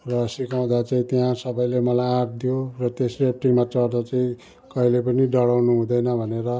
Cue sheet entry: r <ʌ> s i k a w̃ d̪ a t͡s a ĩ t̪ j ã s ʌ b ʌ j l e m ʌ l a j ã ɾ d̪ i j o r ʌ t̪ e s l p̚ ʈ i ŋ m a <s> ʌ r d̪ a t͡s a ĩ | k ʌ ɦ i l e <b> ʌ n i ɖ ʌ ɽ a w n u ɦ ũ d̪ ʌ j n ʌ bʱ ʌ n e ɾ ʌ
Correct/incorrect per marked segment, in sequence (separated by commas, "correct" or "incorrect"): correct, incorrect, incorrect